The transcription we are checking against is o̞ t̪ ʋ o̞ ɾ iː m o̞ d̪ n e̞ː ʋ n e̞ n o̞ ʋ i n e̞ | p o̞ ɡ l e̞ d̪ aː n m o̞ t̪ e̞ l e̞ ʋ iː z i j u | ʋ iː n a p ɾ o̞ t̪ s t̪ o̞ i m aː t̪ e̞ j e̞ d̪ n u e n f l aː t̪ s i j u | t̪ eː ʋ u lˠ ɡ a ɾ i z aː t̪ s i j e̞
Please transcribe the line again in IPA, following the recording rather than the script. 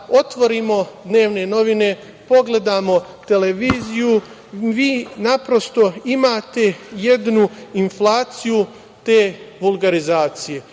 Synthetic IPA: o̞ t̪ ʋ o̞ ɾ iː m o̞ d̪ n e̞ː ʋ n e̞ n o̞ ʋ i n e̞ | p o̞ ɡ l e̞ d̪ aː m o̞ t̪ e̞ l e̞ ʋ iː z i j u | ʋ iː n a p ɾ o̞ s t̪ o̞ i m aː t̪ e̞ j e̞ d̪ n u i n f l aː t̪ s i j u | t̪ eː ʋ u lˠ ɡ a ɾ i z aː t̪ s i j e̞